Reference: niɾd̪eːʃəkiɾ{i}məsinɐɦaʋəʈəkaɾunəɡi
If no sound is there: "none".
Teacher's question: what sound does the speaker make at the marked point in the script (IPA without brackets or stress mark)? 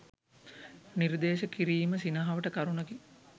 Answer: iː